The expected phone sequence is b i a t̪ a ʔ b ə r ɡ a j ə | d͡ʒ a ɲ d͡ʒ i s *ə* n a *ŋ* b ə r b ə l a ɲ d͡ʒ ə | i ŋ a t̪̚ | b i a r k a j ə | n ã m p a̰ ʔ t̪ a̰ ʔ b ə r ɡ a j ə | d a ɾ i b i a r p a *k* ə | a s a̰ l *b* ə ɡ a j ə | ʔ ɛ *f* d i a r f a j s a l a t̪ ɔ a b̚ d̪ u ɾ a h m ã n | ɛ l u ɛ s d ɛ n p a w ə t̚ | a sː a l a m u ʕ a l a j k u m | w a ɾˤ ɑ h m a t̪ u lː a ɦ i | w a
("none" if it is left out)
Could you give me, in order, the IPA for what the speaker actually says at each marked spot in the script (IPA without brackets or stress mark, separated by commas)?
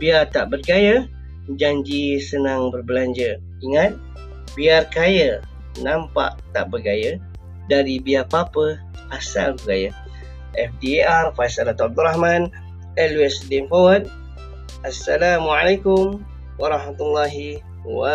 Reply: ə, ŋ, p, b, f